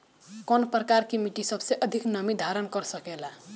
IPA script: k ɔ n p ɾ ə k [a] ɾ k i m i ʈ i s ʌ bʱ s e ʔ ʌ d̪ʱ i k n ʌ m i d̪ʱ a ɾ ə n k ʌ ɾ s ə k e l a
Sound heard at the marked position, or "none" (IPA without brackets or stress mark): a